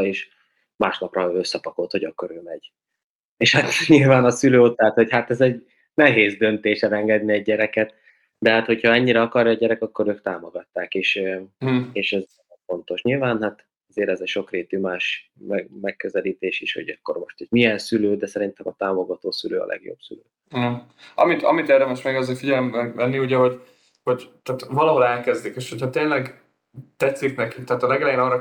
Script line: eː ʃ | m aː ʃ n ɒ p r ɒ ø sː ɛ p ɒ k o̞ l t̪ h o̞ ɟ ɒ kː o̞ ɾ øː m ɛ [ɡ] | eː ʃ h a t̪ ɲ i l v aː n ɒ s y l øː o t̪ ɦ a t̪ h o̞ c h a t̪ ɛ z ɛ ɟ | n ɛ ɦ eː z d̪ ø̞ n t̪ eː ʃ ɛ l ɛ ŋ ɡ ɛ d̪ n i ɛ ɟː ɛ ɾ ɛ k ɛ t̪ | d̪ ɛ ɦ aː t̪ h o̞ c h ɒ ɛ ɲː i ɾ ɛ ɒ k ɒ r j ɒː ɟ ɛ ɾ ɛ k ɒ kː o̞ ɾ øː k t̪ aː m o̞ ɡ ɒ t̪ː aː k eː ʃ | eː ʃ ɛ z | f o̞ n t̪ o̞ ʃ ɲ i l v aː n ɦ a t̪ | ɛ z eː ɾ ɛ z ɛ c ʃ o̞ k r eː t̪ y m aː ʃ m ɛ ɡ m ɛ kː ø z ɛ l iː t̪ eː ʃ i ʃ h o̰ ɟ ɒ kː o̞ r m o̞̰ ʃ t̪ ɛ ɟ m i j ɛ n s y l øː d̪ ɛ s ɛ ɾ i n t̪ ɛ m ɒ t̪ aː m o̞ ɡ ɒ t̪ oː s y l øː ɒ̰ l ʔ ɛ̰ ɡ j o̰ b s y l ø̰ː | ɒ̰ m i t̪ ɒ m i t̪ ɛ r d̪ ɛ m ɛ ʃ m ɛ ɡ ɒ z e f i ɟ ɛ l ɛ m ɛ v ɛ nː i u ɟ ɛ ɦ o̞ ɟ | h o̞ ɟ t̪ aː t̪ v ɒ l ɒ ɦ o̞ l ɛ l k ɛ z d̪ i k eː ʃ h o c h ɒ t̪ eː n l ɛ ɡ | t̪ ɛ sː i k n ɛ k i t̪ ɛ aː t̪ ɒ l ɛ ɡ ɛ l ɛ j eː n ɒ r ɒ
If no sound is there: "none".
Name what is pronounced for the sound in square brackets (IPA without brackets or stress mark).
ɟ